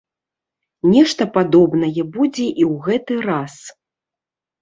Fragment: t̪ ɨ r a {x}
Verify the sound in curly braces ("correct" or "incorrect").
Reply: incorrect